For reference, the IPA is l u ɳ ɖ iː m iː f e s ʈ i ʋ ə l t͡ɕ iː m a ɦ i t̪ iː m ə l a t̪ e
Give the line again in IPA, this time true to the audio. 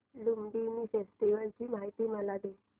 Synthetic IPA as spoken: l u m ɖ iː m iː f e s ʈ i ʋ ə l t͡ɕ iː m a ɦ i t̪ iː m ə l a d̪ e